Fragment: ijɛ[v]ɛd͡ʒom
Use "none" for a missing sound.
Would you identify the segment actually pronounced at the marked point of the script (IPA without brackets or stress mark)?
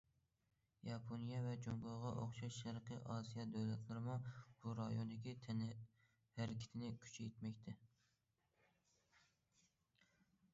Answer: v